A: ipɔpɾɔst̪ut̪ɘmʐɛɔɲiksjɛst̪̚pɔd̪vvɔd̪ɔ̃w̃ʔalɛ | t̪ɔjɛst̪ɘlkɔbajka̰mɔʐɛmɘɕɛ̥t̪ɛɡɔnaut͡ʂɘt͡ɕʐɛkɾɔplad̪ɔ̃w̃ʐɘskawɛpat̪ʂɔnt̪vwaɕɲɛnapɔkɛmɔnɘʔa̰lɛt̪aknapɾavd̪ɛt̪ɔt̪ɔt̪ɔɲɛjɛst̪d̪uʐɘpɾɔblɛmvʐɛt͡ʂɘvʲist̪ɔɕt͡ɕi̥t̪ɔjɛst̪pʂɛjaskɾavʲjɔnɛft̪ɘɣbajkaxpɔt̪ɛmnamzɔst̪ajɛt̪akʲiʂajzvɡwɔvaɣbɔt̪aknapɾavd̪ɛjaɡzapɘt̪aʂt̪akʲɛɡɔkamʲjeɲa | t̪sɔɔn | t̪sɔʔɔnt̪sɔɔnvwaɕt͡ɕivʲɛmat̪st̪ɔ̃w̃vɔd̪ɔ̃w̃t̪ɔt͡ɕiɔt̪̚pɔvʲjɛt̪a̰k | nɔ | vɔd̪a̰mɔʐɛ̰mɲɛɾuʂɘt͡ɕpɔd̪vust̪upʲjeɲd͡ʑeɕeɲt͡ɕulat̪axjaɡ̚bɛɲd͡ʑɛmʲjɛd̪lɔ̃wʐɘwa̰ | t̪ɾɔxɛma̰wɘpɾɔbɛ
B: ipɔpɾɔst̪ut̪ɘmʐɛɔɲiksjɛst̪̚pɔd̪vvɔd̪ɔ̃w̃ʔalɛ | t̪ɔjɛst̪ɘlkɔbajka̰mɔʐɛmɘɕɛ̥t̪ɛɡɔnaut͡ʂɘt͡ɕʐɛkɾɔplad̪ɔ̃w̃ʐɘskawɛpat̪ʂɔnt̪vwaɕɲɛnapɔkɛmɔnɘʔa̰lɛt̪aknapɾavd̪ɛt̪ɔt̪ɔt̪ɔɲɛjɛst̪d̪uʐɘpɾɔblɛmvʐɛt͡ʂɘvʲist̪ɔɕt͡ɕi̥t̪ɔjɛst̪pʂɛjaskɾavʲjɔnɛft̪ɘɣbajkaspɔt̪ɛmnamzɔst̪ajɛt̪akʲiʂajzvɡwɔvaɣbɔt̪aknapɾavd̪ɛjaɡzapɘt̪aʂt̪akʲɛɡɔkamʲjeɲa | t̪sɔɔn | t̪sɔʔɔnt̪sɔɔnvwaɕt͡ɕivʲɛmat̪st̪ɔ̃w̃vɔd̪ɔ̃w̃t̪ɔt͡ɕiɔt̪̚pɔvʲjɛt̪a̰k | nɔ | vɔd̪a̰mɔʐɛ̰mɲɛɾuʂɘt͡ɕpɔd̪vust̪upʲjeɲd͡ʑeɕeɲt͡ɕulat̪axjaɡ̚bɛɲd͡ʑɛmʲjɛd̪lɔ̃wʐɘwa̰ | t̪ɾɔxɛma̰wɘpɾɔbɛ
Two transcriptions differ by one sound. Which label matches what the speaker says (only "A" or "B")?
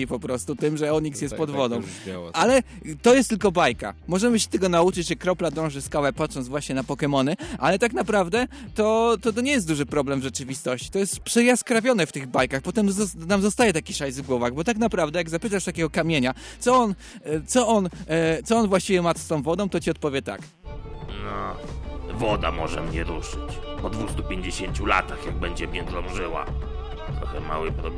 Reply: A